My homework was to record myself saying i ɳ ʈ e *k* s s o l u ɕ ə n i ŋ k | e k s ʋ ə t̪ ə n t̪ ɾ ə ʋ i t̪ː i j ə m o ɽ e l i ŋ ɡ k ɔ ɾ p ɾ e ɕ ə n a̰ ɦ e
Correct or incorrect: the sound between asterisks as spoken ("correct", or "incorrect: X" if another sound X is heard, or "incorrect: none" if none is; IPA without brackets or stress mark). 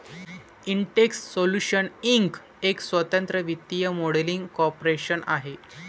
correct